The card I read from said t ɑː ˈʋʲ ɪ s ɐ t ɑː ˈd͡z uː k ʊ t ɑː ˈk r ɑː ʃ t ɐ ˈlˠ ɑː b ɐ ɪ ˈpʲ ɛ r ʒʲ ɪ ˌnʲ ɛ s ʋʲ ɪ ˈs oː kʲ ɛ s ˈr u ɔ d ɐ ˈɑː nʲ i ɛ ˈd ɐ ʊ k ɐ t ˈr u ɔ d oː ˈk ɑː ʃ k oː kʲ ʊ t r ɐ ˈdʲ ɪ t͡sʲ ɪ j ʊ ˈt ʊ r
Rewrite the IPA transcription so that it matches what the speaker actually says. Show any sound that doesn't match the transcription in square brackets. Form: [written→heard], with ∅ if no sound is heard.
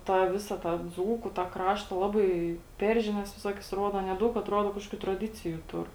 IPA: t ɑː ˈʋʲ ɪ s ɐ t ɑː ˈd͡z uː k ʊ t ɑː ˈk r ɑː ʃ t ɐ ˈlˠ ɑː b ɐ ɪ ˈpʲ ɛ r ʒʲ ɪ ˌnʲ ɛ s ʋʲ ɪ ˈs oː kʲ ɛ s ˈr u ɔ d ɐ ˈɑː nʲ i ɛ ˈd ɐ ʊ k ɐ t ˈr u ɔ d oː ˈk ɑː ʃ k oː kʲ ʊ t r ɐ ˈdʲ ɪ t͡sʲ ɪ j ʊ ˈt ʊ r

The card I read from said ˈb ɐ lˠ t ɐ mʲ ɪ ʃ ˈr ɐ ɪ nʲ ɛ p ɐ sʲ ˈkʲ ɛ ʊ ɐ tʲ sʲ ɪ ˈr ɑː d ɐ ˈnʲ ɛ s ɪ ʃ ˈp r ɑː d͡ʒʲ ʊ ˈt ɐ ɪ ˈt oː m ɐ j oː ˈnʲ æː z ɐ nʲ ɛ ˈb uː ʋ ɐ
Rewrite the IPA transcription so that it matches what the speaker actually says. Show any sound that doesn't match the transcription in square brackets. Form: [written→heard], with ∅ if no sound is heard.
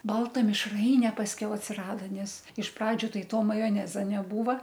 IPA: ˈb ɐ lˠ t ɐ mʲ ɪ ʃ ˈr ɐ ɪ nʲ ɛ p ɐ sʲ ˈkʲ ɛ ʊ ɐ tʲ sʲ ɪ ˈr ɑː d ɐ ˈnʲ ɛ s ɪ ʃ ˈp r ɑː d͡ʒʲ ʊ ˈt ɐ ɪ ˈt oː m ɐ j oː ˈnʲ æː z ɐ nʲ ɛ ˈb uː ʋ ɐ

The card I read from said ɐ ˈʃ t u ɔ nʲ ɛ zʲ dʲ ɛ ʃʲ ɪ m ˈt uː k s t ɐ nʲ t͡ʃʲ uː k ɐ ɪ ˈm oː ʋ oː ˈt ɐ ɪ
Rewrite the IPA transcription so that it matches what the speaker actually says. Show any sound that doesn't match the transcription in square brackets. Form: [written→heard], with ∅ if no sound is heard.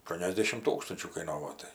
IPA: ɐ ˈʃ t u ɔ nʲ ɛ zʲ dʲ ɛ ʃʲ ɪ m ˈt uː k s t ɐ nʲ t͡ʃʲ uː k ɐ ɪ [ˈm→ˈn] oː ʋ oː ˈt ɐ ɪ

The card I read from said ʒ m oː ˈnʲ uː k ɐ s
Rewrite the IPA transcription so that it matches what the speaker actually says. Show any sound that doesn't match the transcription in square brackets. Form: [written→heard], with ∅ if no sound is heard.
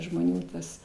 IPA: ʒ m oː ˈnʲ uː [k→t] ɐ s

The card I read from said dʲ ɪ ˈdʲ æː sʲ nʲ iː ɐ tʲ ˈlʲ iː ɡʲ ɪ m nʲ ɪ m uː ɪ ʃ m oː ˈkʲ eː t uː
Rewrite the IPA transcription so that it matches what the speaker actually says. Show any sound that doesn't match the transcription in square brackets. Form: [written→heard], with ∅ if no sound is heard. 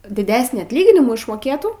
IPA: dʲ ɪ ˈdʲ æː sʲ nʲ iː ɐ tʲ ˈlʲ iː ɡʲ ɪ [m→∅] nʲ ɪ m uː ɪ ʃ m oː ˈkʲ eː t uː

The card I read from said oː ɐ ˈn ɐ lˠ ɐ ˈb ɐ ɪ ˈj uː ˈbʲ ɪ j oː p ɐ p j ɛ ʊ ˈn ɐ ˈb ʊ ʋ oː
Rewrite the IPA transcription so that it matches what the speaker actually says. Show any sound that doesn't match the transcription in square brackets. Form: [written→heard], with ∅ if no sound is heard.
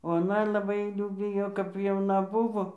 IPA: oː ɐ ˈn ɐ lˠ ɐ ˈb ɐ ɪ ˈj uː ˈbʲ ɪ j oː [p→k] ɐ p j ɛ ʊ ˈn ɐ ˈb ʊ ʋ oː

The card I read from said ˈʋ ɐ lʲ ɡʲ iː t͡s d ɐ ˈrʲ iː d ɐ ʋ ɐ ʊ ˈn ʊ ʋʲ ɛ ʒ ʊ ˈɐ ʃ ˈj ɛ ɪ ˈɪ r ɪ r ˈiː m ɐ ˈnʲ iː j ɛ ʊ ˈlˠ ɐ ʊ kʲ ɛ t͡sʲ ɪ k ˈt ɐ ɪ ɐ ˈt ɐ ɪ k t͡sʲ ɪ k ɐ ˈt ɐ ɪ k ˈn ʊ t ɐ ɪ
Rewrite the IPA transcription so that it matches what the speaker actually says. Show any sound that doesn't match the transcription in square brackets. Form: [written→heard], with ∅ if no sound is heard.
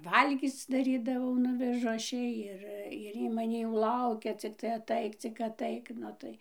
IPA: ˈʋ ɐ lʲ ɡʲ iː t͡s d ɐ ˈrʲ iː d ɐ ʋ ɐ ʊ ˈn ʊ ʋʲ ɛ ʒ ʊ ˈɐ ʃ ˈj ɛ ɪ ˈɪ r ɪ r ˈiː m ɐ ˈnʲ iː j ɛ ʊ ˈlˠ ɐ ʊ kʲ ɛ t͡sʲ ɪ k ˈt ɐ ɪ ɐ ˈt ɐ ɪ k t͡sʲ ɪ k ɐ ˈt ɐ ɪ k ˈn ʊ t ɐ ɪ

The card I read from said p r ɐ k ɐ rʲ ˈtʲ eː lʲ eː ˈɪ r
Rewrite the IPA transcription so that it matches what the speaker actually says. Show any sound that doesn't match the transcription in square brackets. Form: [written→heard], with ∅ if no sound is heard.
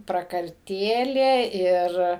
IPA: p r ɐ k ɐ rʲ ˈtʲ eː lʲ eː ˈɪ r

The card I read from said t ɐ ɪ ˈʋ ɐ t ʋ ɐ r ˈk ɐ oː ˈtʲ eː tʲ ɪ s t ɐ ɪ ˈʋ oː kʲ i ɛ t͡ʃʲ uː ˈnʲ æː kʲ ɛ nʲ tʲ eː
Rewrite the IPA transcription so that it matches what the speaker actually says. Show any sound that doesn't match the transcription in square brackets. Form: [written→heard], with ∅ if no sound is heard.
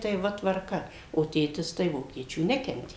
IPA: t ɐ ɪ ˈʋ ɐ t ʋ ɐ r ˈk ɐ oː ˈtʲ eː tʲ ɪ s t ɐ ɪ ˈʋ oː kʲ i ɛ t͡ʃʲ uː ˈnʲ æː kʲ ɛ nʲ tʲ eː

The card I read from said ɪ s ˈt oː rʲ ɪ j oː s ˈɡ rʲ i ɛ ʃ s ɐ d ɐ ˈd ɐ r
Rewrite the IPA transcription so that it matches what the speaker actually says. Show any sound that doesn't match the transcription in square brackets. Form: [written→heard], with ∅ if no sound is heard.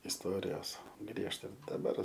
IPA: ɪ s ˈt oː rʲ ɪ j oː s ˈɡ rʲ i ɛ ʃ [s→t] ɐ d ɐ [ˈd→ˈb] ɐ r

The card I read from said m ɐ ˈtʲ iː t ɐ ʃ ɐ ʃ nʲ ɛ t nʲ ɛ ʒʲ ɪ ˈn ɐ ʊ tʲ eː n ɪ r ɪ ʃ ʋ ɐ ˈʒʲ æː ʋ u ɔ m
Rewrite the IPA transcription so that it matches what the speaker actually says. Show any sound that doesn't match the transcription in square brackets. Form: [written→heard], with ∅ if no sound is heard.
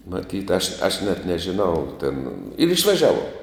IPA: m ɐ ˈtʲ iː t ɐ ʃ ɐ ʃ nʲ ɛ t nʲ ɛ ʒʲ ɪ ˈn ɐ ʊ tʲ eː n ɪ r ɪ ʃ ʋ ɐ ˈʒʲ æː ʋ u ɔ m

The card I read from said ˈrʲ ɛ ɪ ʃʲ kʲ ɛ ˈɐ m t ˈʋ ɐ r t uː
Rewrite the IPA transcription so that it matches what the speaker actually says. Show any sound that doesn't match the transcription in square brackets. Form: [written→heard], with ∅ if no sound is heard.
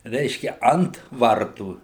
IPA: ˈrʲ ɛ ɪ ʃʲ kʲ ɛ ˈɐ [m→n] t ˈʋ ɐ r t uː

